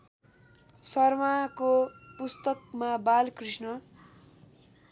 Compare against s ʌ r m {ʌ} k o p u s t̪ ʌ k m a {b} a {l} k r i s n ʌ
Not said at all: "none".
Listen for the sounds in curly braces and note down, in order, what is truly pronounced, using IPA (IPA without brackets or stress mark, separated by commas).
a, b, l